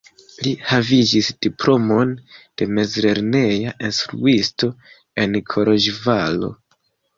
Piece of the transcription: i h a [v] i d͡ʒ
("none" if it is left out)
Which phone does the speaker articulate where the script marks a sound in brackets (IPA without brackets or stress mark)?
v